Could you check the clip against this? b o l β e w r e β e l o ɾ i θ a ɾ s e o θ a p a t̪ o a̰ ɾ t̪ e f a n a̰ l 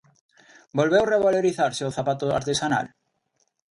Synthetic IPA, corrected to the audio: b o l β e w r e β a l o ɾ i θ a ɾ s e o θ a p a t̪ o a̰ ɾ t̪ e s a n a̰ l